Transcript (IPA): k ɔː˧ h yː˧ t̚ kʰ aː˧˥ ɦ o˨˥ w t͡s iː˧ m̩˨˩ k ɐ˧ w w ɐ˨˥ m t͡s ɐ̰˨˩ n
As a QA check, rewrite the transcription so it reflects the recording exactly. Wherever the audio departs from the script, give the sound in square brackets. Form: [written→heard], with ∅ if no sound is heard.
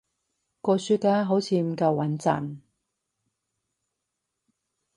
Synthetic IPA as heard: k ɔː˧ [h→s] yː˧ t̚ [kʰ→k] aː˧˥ ɦ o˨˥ w [t͡s→t͡sʰ] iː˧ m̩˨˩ k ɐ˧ w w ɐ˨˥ [m→n] t͡s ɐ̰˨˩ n